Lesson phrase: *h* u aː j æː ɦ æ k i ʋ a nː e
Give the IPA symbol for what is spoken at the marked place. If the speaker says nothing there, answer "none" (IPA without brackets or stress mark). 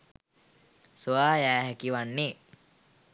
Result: s